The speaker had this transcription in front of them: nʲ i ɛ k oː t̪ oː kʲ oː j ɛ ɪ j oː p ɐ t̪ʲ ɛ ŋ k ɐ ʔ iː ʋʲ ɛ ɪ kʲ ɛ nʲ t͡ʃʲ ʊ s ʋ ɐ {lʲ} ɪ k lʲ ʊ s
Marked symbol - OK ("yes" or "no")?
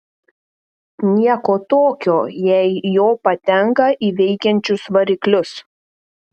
no